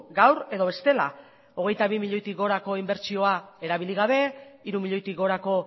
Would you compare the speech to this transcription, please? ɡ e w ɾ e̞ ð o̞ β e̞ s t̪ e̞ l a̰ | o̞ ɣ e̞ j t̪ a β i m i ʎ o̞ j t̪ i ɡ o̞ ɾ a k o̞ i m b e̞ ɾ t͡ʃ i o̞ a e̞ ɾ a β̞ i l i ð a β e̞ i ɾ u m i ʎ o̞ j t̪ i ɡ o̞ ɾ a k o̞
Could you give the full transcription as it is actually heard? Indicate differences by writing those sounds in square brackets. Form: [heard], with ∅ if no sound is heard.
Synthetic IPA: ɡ [a] w ɾ e̞ ð o̞ β e̞ s t̪ e̞ l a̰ | o̞ ɣ e̞ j t̪ a β i m i ʎ o̞ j t̪ i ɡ o̞ ɾ a k o̞ i m b e̞ ɾ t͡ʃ i o̞ a e̞ ɾ a β̞ i l i [ɣ] a β e̞ i ɾ u m i ʎ o̞ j t̪ i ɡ o̞ ɾ a k o̞